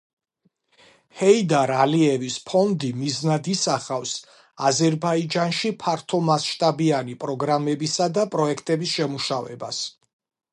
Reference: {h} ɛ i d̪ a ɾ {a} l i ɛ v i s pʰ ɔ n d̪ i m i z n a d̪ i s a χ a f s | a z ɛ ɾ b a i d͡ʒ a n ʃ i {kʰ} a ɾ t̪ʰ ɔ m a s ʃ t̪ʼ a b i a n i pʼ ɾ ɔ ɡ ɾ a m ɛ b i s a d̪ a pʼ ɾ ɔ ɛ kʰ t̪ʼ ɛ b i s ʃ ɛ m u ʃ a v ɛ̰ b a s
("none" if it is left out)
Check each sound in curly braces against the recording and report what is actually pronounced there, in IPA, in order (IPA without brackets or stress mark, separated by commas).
h, a, pʰ